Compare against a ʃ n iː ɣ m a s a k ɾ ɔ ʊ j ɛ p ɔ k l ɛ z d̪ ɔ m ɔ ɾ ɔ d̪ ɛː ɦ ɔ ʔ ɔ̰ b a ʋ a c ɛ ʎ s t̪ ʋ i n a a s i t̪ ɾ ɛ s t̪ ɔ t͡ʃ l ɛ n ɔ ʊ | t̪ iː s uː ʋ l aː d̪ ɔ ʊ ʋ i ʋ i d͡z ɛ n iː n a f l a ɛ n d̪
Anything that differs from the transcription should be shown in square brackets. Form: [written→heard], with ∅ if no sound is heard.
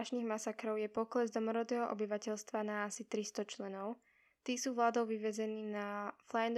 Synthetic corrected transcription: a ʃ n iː ɣ m a s a k ɾ ɔ ʊ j ɛ p ɔ k l ɛ z d̪ ɔ m ɔ ɾ ɔ d̪ ɛː ɦ ɔ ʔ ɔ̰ b [a→i] ʋ a c ɛ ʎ s t̪ ʋ [i→a] n a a s i t̪ ɾ [ɛ→i] s t̪ ɔ t͡ʃ l ɛ n ɔ ʊ | t̪ iː s uː ʋ l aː d̪ ɔ ʊ ʋ i ʋ [i→ɛ] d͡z ɛ n iː n a f l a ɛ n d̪